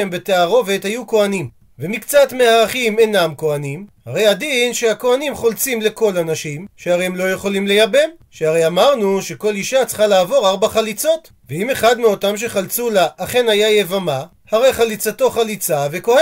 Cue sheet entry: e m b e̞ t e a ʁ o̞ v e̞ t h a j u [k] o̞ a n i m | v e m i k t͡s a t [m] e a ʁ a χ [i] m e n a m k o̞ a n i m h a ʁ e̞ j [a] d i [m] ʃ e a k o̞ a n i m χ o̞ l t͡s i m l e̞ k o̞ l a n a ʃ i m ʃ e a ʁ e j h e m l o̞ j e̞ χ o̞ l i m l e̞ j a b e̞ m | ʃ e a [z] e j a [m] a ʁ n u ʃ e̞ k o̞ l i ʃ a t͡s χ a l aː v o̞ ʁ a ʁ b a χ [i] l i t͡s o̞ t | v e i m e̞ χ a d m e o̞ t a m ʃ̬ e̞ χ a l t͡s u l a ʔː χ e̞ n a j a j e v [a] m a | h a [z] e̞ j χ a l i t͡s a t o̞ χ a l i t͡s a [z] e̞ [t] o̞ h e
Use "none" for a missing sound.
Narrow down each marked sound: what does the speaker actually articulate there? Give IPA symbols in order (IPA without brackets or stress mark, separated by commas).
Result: k, m, i, a, n, ʁ, m, a, a, ʁ, v, k